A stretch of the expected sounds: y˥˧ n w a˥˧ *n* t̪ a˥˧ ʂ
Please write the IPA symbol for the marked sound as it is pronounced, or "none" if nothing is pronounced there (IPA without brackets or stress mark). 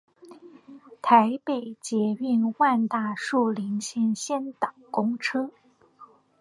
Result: n